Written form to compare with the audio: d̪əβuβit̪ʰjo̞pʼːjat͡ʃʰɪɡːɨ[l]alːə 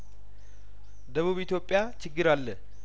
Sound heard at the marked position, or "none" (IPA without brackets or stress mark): ɾ